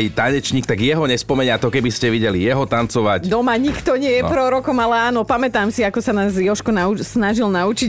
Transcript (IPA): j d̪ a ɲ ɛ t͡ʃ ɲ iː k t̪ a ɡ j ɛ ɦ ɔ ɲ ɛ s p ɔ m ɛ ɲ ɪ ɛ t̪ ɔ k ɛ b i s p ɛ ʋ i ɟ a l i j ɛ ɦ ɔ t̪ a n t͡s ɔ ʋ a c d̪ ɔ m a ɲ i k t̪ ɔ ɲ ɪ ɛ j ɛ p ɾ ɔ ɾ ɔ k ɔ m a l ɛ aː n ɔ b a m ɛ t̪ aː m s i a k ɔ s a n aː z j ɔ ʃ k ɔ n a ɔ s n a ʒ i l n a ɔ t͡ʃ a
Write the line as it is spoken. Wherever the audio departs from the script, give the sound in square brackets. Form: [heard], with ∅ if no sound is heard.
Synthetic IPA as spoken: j [t̪] a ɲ ɛ t͡ʃ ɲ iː k t̪ a ɡ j ɛ ɦ ɔ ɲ ɛ s p ɔ m ɛ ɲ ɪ [a] t̪ ɔ k ɛ b i s [c] ɛ ʋ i ɟ [ɛ] l i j ɛ ɦ ɔ t̪ a n t͡s ɔ ʋ a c d̪ ɔ m a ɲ i k t̪ ɔ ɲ ɪ ɛ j ɛ p ɾ ɔ ɾ ɔ k ɔ m a l ɛ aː n ɔ [p] a m ɛ t̪ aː m s i a k ɔ s a n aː z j ɔ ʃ k ɔ n a [u] s n a ʒ i l n a [u] t͡ʃ [i]